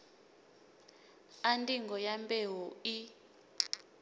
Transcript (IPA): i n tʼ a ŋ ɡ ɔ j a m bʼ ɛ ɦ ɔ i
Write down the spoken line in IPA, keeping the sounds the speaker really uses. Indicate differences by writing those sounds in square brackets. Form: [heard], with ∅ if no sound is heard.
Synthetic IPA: [a] n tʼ [i] ŋ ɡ ɔ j a m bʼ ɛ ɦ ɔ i